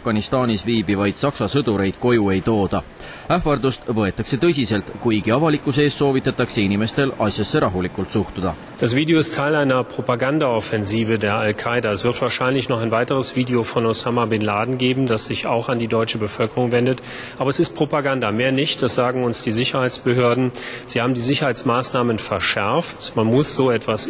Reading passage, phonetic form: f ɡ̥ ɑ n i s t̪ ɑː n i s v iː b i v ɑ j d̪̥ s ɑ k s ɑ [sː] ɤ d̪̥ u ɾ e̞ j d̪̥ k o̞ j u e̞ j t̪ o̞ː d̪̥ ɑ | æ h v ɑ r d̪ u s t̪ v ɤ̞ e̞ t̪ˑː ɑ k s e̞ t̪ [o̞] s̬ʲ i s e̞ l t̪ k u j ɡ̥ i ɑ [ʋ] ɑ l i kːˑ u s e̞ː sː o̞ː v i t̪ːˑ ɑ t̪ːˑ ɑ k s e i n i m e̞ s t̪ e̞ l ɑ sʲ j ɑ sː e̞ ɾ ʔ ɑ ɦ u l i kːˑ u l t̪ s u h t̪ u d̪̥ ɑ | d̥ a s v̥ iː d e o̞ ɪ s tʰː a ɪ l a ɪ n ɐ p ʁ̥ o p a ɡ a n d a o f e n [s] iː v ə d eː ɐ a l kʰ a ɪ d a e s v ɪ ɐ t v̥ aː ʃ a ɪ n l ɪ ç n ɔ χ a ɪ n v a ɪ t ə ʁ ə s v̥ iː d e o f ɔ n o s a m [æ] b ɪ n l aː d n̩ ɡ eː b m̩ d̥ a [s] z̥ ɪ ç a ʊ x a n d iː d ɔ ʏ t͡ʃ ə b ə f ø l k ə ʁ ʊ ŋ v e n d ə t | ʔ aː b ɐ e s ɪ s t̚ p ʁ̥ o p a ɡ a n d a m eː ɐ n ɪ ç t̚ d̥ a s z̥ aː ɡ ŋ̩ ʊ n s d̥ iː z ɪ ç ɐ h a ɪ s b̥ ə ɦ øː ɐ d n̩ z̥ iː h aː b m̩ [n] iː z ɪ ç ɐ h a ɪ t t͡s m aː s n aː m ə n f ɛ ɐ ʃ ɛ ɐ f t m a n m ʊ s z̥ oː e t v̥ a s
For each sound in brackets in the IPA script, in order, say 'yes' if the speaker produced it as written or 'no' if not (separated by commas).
no, no, no, no, no, yes, no